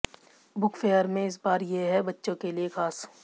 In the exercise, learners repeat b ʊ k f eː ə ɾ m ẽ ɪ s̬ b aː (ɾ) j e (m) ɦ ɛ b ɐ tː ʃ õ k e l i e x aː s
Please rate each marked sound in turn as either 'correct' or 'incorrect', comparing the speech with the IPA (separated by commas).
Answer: correct, incorrect